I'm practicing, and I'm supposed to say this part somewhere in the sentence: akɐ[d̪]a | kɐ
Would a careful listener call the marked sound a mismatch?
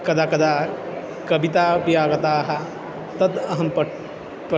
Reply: no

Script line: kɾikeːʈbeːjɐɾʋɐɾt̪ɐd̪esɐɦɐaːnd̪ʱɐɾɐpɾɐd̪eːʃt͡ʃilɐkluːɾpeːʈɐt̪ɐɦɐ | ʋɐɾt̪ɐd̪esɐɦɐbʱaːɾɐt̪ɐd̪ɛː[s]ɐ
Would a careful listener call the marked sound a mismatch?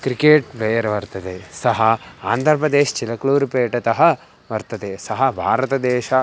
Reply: yes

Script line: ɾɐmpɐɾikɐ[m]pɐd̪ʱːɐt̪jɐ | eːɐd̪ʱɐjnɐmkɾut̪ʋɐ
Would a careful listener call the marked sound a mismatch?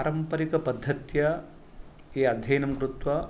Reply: yes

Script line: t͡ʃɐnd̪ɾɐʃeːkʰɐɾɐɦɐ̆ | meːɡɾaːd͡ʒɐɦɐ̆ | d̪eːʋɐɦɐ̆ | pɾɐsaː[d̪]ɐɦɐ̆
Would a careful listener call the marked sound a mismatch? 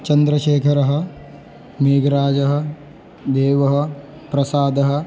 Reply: no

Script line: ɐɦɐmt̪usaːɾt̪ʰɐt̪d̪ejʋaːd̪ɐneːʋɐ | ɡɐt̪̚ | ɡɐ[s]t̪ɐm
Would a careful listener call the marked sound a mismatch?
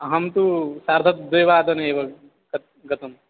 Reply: yes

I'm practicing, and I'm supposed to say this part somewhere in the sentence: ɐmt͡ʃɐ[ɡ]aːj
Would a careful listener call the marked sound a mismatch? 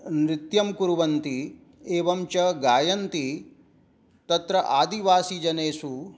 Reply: no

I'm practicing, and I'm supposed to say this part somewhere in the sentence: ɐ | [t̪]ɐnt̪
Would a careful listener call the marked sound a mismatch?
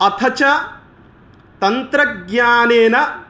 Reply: no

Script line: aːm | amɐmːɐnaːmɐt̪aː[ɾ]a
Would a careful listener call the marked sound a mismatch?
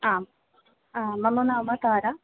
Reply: no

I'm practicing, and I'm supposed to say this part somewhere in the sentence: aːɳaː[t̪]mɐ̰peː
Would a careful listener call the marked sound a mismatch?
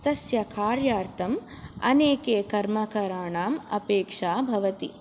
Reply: yes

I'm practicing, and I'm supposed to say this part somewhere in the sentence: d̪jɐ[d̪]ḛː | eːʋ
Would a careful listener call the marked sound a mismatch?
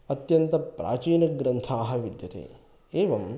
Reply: yes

